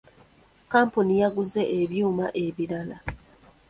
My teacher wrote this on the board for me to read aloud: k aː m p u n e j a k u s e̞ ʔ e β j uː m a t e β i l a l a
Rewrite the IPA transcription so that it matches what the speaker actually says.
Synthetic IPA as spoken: k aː m p u n i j a ɡ u z e̞ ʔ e β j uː m a ʔ e β i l a l a